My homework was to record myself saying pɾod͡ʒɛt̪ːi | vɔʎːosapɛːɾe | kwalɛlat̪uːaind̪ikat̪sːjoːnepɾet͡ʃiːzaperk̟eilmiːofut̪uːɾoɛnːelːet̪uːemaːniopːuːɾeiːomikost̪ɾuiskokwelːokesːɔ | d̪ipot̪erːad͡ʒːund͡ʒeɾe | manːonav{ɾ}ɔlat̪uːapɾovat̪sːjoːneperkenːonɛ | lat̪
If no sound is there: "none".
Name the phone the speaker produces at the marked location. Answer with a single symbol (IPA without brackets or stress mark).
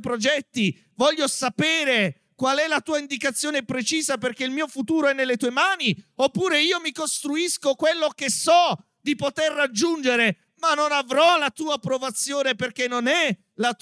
ɾ